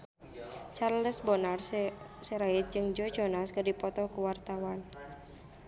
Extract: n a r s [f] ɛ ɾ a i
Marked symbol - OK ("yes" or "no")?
no